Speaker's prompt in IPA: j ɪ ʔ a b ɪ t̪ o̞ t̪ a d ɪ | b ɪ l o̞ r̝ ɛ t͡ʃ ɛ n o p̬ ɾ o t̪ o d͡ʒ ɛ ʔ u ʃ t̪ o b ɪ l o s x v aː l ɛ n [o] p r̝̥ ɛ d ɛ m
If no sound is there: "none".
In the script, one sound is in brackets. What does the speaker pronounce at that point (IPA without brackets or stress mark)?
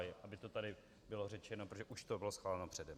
o